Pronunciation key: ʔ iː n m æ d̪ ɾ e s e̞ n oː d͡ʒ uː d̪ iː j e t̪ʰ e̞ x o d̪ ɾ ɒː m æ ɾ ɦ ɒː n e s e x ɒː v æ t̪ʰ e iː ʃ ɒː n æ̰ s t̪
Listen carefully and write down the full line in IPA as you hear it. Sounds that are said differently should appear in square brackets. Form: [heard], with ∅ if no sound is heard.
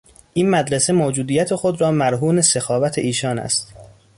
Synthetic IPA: ʔ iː n m æ d̪ ɾ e s e̞ [m] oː d͡ʒ uː d̪ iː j [æ] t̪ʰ e̞ x o d̪ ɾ ɒː m æ ɾ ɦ [uː] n e s e x ɒː v æ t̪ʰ e iː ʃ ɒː n æ̰ s t̪